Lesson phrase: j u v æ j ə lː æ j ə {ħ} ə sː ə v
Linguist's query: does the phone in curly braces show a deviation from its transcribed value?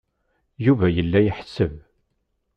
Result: no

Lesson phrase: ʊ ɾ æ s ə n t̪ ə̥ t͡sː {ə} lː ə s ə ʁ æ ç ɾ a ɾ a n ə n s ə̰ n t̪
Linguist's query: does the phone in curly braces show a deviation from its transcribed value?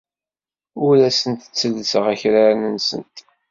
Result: no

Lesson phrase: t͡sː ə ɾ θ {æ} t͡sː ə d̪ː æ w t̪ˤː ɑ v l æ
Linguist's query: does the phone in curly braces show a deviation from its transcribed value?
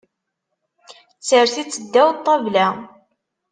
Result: yes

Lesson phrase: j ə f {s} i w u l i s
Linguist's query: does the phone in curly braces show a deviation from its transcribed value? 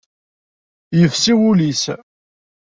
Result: no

